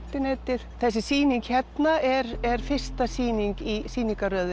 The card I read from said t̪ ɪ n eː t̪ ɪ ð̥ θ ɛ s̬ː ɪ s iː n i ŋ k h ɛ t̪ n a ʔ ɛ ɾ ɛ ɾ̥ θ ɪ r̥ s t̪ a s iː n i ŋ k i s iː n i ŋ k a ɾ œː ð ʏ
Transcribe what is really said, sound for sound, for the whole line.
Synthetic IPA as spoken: t̪ ɪ n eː t̪ ɪ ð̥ θ ɛ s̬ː ɪ s iː n i ŋ k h ɛ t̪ n a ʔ ɛ ɾ ɛ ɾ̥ f ɪ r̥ s t̪ a s iː n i ŋ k i s iː n i ŋ k a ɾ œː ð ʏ